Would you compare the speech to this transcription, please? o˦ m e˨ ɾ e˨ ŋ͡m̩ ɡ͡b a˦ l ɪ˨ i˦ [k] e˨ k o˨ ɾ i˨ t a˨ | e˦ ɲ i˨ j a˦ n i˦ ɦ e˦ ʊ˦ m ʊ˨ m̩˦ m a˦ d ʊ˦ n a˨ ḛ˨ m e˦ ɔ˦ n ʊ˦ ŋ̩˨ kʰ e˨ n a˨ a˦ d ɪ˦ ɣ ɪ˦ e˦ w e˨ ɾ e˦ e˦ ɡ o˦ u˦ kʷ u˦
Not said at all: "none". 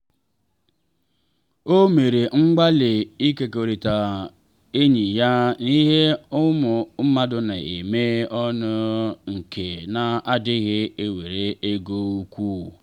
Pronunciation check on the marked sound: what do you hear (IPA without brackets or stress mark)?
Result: k